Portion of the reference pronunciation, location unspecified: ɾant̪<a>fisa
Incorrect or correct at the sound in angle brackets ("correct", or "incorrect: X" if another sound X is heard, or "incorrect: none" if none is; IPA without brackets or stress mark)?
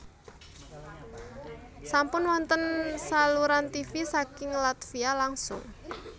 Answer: incorrect: i